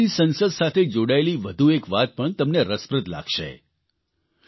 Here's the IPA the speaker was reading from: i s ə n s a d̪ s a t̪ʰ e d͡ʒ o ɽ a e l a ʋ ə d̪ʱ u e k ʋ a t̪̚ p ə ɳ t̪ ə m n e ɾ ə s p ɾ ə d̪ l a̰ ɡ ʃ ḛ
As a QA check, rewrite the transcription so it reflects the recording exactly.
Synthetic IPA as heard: i s ə n s ə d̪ s a t̪ʰ e d͡ʒ o ɽ a e l i ʋ ə d̪ʱ u e k ʋ a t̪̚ p ə ɳ t̪ ə m n e ɾ ə s p ɾ ə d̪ l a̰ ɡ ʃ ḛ